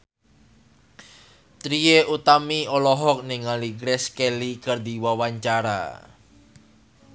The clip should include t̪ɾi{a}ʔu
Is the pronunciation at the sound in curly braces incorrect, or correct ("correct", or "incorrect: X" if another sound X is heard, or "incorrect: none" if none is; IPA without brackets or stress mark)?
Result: incorrect: e